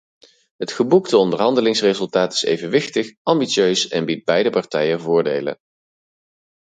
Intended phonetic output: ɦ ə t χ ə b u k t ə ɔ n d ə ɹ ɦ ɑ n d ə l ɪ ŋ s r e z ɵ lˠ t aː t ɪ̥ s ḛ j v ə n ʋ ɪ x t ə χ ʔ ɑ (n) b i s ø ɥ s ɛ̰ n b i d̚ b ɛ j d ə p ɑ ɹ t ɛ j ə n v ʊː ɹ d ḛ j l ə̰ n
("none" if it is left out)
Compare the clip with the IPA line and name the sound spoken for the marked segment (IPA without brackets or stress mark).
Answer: m